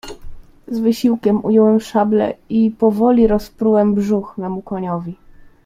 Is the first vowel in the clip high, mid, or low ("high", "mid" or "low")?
mid